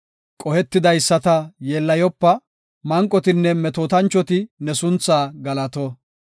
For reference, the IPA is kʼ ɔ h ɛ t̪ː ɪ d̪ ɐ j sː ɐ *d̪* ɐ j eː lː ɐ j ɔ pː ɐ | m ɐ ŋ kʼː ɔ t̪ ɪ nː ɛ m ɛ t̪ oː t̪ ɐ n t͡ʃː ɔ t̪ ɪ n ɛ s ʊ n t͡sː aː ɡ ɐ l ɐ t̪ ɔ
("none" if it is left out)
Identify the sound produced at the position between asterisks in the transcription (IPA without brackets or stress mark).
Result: t̪